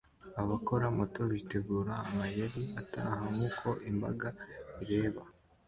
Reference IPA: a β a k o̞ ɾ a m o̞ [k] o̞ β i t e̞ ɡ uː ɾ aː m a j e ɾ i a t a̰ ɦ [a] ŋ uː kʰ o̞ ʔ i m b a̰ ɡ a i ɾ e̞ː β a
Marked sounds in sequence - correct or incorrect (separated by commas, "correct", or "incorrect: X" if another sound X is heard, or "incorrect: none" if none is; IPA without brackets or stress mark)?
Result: incorrect: t, correct